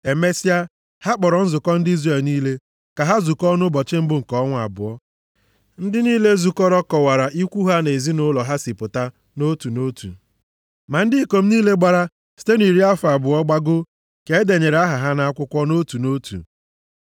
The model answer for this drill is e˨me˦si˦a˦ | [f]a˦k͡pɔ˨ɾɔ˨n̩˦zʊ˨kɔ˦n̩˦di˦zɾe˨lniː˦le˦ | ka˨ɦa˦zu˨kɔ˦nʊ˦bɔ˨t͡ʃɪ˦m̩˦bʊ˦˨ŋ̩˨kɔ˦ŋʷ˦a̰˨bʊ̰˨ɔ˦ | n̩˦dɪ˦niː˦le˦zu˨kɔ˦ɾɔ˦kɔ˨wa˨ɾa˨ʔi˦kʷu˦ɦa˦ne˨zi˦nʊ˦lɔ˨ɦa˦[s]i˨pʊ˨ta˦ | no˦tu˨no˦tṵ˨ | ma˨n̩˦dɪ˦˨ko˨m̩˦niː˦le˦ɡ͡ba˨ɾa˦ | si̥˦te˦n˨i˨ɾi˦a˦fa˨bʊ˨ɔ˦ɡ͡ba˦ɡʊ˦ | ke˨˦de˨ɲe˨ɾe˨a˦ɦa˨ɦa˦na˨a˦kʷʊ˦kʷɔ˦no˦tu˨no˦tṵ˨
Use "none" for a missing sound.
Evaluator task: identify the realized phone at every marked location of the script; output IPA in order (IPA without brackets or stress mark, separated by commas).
h, s